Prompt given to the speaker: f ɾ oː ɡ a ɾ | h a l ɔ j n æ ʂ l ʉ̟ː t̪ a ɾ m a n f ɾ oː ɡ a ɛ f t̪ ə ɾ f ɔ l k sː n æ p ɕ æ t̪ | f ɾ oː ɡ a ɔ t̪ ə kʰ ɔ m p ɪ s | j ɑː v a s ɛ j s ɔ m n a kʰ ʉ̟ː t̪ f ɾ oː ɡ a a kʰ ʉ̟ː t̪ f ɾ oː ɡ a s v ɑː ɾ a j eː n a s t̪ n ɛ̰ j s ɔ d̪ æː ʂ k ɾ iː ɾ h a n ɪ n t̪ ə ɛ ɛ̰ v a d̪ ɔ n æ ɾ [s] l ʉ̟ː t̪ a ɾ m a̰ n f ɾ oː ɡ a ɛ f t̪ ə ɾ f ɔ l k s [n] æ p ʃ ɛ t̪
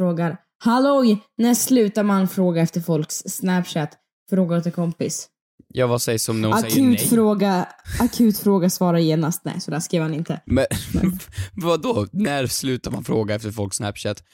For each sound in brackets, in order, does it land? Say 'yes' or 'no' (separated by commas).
yes, yes